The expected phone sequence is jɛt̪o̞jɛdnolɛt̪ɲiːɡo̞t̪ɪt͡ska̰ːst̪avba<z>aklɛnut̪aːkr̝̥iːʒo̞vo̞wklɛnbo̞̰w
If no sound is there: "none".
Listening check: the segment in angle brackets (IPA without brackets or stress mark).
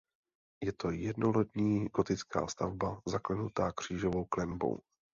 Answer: z